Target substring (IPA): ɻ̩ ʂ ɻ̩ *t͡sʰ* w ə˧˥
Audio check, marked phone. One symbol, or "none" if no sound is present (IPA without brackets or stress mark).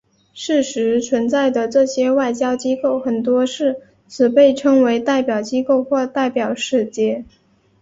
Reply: t͡sʰ